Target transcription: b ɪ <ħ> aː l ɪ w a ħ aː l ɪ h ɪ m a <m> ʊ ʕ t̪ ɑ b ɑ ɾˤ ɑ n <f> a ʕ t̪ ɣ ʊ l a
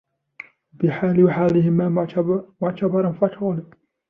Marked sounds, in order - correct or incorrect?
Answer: correct, correct, correct

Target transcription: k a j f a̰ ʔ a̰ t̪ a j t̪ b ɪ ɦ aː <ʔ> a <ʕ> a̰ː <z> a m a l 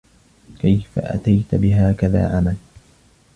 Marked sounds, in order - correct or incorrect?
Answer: incorrect, incorrect, incorrect

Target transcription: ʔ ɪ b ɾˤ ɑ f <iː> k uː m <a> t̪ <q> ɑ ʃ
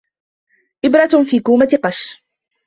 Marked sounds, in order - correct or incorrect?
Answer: correct, correct, correct

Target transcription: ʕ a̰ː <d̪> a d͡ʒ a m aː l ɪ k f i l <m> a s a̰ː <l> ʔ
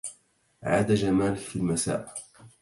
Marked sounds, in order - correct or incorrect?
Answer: correct, correct, incorrect

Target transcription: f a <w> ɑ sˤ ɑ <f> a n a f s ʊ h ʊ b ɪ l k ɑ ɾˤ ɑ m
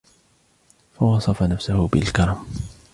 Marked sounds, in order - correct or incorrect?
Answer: correct, correct

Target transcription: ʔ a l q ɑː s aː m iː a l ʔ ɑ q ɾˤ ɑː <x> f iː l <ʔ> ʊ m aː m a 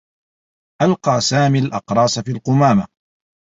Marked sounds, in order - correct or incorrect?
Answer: incorrect, incorrect

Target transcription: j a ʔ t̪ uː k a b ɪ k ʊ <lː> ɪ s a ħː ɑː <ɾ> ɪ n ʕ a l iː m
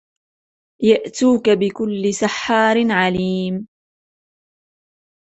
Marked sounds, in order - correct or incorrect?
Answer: correct, correct

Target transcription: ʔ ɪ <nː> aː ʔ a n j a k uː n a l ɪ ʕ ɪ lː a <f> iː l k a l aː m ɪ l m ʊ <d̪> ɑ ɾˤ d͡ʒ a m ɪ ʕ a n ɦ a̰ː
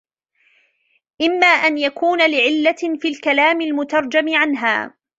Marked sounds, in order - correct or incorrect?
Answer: incorrect, correct, incorrect

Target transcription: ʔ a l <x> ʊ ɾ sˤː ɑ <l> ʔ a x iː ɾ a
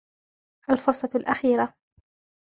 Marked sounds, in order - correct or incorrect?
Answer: incorrect, correct

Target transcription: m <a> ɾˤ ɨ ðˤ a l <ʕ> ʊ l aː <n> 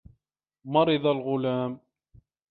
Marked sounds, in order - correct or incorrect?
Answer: incorrect, incorrect, incorrect

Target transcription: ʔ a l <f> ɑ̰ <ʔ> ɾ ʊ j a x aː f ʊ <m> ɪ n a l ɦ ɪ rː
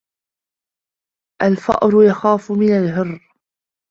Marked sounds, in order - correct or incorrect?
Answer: correct, correct, correct

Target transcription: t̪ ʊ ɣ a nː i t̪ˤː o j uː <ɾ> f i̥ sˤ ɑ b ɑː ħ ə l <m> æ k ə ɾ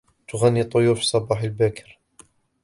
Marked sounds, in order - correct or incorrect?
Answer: correct, incorrect

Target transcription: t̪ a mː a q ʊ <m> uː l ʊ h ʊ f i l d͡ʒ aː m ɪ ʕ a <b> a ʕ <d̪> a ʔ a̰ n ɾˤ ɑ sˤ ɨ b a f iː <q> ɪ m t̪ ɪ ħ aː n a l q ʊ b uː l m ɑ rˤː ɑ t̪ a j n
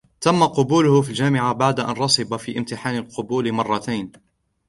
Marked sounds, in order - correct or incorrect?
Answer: incorrect, correct, correct, incorrect

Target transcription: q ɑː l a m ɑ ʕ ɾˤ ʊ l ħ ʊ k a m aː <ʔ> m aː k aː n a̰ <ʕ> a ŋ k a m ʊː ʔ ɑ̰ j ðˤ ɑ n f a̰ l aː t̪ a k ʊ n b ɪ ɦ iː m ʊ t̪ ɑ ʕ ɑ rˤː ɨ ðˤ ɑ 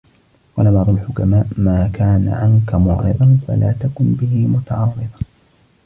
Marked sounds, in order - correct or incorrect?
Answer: correct, correct

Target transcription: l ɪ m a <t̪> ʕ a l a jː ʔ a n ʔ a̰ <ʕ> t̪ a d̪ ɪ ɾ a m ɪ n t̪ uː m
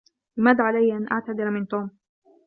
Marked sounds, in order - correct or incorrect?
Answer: incorrect, correct

